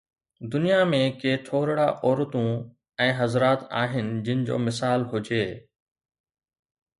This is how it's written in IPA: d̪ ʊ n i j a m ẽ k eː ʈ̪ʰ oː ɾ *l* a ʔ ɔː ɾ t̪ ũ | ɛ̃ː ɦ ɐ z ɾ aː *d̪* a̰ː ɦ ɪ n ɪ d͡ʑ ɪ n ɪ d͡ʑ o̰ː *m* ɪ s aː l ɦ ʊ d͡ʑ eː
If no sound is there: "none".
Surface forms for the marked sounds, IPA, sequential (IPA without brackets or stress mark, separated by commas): ɽ, t̪, m